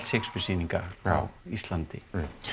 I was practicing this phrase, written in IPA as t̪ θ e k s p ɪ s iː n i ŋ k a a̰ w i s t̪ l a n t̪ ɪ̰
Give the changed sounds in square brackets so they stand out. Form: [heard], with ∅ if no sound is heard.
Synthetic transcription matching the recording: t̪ [s] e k s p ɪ s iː n i ŋ k a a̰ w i s t̪ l a n t̪ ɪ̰